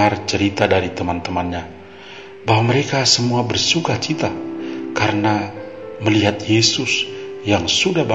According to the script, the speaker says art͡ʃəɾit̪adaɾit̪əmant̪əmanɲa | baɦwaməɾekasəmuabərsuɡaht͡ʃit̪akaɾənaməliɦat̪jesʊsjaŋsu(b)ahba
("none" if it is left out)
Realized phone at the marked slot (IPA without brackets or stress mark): d